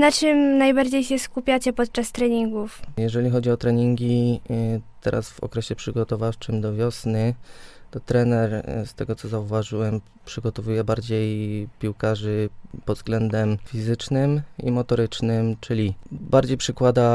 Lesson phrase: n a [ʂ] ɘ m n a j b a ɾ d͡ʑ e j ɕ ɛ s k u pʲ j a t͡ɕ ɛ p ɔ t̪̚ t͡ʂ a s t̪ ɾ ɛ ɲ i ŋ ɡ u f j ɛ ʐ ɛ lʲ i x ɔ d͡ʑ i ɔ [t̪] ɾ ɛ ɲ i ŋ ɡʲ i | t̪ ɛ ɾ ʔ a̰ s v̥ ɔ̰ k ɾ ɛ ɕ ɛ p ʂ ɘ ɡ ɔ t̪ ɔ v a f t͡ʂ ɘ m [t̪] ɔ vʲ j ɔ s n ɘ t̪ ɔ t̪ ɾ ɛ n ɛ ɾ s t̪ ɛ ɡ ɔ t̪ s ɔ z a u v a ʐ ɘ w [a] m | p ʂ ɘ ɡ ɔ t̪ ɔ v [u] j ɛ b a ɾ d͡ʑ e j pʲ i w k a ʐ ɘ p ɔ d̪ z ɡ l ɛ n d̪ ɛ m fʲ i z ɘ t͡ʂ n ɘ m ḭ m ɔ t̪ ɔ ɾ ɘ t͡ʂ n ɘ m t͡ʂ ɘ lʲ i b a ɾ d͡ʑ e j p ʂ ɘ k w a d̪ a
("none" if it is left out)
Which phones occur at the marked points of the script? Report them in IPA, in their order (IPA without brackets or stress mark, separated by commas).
t͡ʂ, t̪, d̪, ɛ, u